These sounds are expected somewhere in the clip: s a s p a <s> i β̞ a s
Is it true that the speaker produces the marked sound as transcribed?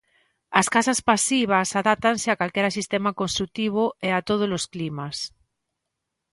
yes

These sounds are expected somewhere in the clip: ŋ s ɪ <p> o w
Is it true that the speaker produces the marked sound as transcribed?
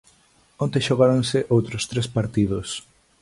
no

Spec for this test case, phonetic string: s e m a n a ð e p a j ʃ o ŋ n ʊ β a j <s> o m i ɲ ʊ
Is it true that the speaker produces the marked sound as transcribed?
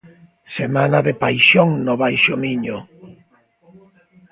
no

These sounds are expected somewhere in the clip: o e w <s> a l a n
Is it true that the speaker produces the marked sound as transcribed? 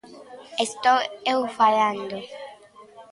no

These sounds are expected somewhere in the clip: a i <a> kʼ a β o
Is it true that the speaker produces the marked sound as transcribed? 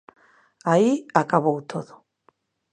yes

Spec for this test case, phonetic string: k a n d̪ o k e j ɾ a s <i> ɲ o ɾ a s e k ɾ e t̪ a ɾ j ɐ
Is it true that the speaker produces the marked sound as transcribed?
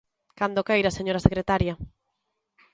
no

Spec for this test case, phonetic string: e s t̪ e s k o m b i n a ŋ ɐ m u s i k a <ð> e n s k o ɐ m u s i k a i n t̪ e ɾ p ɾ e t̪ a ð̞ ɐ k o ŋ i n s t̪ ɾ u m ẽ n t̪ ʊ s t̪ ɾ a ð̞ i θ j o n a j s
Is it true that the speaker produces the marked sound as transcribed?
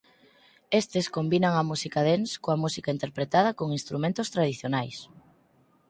yes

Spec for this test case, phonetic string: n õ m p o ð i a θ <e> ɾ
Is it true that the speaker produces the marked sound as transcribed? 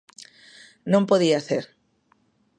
yes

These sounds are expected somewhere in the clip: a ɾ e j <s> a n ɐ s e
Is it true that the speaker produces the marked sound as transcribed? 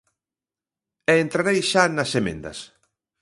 no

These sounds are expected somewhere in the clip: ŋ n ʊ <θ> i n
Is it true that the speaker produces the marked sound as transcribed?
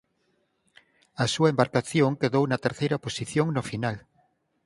no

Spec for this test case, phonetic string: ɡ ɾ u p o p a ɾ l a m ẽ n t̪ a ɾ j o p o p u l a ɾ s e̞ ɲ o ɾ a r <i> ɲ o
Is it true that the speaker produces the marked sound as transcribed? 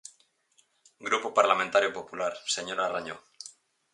no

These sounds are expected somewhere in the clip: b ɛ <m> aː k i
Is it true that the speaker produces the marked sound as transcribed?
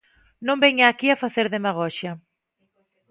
no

